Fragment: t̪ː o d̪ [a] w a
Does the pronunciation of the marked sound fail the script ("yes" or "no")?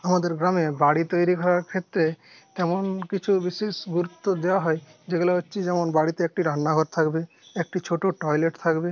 yes